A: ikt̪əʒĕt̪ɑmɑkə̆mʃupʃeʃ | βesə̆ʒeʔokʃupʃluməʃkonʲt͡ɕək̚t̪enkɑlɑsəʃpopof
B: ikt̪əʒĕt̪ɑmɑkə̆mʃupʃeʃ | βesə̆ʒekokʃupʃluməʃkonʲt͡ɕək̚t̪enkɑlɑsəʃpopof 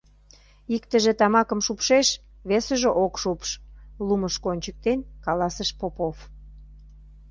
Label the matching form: A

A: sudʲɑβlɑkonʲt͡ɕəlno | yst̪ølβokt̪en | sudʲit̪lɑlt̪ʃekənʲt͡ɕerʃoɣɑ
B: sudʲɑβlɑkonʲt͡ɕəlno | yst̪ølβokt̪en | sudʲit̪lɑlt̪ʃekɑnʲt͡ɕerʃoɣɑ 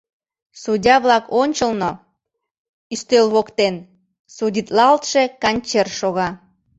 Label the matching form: B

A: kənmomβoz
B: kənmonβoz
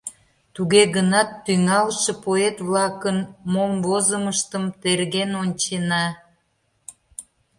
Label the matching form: A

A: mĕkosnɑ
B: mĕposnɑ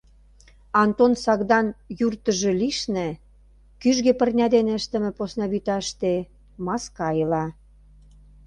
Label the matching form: B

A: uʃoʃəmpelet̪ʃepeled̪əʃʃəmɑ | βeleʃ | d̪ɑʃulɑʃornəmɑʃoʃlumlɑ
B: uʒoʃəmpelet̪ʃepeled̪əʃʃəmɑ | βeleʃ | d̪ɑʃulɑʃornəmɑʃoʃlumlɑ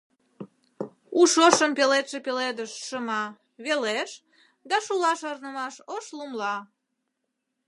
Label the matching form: A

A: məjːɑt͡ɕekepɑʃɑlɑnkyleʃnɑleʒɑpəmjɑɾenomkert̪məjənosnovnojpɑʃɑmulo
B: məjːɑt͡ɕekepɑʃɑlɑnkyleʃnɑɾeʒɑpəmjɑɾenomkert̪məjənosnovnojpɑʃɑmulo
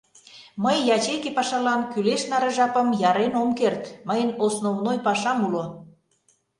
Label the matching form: B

